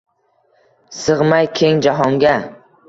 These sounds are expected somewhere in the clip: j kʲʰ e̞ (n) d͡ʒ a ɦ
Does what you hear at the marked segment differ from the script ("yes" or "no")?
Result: yes